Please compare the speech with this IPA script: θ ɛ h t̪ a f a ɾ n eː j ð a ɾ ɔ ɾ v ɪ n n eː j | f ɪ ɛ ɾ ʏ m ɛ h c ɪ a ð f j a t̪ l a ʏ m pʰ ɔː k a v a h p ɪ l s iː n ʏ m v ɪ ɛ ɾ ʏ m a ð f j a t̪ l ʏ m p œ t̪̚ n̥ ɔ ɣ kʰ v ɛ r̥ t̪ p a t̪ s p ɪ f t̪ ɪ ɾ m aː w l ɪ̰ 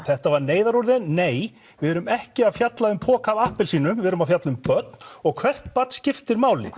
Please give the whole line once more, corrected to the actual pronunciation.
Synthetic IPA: θ ɛ h t̪ a v a ɾ n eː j ð a ɾ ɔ ɾ ð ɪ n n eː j | v ɪ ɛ ɾ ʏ m ɛ h c ɪ a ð f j a t̪ l a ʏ m pʰ ɔː k a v a h p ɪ l s iː n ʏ m v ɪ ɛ ɾ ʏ m a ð f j a t̪ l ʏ m p œ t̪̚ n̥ ɔ ɣ kʰ v ɛ r̥ t̪ p a t̪ s c ɪ f t̪ ɪ ɾ m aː w l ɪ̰